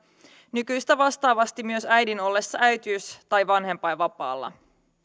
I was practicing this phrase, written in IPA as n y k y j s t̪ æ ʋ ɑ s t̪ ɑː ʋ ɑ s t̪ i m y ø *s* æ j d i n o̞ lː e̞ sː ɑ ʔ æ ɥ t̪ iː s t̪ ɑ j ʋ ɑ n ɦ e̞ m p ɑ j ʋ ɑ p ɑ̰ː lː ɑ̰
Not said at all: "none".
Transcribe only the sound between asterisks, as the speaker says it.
s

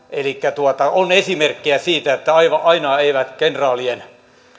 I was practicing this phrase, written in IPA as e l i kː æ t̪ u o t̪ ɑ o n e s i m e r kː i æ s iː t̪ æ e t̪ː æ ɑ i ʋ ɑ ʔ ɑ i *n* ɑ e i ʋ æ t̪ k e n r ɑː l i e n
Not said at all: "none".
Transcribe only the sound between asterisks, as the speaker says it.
n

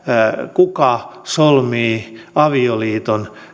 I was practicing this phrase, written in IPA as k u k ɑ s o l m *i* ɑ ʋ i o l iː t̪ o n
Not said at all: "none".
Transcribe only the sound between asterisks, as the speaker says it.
iː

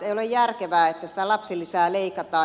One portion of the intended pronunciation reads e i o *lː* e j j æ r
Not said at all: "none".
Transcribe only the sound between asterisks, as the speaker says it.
l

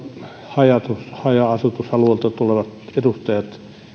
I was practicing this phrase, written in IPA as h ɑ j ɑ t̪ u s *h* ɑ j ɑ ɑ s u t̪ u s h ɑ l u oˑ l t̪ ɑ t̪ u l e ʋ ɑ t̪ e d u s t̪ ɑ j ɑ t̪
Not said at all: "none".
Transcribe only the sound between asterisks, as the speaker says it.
h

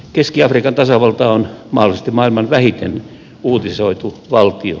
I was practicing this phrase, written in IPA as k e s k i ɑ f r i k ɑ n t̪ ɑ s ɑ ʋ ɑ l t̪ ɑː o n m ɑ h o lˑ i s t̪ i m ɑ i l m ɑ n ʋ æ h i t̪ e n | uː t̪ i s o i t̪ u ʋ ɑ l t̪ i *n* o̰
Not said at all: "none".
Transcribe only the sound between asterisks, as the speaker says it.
none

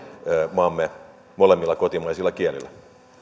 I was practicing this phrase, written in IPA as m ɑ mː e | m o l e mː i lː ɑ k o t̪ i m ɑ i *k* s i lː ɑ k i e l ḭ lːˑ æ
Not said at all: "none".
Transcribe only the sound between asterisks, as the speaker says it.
none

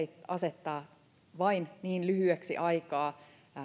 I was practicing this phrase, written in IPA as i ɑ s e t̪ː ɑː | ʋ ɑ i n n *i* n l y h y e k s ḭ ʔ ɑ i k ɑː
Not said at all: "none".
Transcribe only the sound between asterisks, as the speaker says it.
iː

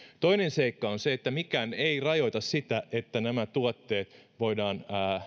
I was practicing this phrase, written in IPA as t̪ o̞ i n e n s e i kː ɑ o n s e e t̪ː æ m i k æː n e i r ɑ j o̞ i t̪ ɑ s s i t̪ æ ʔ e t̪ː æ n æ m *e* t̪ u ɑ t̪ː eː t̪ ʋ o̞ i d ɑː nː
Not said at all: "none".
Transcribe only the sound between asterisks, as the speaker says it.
æ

